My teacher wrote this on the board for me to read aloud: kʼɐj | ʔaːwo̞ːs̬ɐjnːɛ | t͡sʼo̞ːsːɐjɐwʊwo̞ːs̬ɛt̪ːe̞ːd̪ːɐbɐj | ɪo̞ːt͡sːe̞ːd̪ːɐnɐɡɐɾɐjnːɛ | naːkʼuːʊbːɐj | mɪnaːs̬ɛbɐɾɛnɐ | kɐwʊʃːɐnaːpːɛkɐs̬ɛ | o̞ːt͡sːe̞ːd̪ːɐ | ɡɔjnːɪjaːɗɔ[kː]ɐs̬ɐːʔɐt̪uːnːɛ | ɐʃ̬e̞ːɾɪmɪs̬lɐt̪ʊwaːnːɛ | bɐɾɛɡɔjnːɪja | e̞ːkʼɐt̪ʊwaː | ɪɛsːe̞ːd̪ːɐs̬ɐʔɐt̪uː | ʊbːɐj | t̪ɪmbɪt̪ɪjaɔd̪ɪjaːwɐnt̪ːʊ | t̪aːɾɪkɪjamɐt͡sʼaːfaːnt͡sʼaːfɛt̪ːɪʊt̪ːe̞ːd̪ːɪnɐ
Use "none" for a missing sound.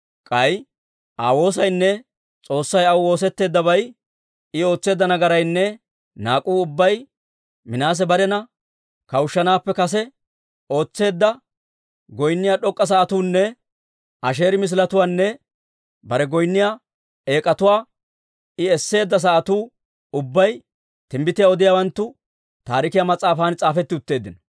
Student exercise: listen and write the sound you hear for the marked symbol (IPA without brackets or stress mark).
kʼː